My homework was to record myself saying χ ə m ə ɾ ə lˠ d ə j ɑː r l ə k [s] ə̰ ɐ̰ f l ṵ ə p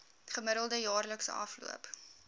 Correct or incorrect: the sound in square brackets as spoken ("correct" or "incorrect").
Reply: correct